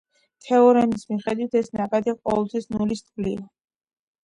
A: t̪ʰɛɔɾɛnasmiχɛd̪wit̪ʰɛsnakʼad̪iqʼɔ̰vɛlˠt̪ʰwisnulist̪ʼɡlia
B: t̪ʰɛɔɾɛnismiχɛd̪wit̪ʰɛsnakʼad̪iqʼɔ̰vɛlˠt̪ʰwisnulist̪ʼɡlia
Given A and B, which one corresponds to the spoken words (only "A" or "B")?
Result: B